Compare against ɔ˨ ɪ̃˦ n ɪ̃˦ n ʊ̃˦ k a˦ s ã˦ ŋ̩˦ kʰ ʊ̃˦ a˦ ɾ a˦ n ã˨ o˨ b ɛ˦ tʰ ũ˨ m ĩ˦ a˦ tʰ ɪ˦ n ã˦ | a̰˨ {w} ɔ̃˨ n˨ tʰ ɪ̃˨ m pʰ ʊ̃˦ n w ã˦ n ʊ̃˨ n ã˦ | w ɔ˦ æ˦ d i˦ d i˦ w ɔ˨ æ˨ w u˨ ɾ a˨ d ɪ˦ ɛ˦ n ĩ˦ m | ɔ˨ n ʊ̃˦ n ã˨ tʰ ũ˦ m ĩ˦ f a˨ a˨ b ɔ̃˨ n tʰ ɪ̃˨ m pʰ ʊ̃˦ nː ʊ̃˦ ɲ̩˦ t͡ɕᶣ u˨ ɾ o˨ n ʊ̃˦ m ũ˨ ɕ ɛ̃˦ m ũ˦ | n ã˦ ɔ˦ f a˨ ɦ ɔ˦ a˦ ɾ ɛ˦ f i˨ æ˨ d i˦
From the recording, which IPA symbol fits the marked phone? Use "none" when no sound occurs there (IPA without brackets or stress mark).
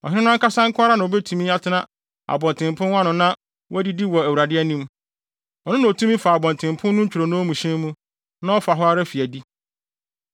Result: b